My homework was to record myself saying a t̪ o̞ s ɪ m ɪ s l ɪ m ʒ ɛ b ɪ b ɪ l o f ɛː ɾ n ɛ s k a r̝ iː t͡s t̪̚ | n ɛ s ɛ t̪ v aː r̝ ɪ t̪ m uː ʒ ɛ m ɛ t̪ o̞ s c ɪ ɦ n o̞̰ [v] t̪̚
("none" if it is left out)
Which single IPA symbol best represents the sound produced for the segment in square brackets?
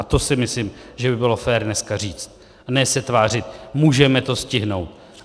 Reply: w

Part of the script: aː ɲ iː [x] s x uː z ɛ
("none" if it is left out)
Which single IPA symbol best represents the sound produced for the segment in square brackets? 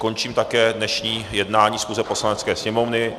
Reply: none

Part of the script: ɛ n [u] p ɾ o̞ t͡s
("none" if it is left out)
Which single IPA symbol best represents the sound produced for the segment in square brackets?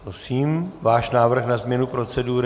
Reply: u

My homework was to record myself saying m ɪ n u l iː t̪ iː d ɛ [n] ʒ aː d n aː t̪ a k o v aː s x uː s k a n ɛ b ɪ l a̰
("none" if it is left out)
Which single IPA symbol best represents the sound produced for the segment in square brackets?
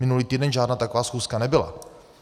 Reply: n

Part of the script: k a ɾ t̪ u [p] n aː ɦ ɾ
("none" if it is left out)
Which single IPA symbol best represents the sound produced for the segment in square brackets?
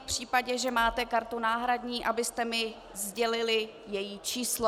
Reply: none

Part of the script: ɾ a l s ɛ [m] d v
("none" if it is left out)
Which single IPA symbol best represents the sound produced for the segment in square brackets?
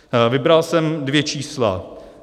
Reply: m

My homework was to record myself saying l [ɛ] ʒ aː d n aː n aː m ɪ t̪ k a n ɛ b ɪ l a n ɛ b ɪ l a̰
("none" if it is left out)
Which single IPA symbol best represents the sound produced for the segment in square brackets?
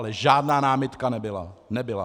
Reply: ɛ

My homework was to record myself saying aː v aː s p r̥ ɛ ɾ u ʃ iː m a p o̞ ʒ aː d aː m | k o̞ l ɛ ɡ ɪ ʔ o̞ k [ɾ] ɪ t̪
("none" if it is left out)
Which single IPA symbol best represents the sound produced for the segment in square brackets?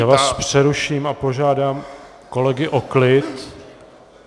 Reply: l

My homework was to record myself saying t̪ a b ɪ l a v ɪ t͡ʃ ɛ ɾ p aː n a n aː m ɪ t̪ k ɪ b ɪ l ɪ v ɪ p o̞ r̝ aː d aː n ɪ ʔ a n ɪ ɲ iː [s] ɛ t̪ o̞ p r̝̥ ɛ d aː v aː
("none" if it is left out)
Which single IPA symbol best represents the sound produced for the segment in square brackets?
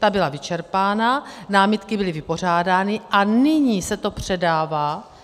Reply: s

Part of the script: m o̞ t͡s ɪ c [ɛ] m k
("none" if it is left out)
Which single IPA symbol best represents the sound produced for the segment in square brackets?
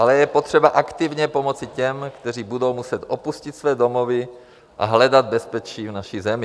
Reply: ɛ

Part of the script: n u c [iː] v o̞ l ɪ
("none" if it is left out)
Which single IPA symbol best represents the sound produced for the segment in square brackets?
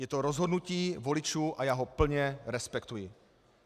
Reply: iː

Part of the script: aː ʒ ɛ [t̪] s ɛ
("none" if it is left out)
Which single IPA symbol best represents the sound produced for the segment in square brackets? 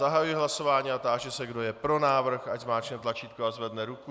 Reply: none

